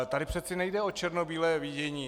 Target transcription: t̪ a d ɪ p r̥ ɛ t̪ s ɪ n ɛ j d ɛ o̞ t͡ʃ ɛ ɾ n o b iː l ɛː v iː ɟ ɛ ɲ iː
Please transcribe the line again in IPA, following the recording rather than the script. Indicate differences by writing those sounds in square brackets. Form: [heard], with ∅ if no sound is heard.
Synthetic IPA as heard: t̪ a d ɪ p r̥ ɛ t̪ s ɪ n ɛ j d ɛ o̞ t͡ʃ ɛ ɾ n o b iː l ɛː v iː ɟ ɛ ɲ iː